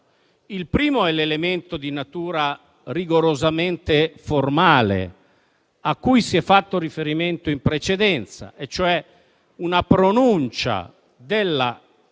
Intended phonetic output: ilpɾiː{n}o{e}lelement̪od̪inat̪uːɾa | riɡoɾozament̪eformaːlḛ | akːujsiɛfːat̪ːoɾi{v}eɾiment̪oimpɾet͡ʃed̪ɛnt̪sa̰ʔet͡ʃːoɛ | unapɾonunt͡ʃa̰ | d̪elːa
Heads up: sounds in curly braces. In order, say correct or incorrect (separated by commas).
incorrect, incorrect, incorrect